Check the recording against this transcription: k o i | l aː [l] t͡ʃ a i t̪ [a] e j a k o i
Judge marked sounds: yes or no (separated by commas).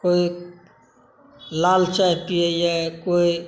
yes, no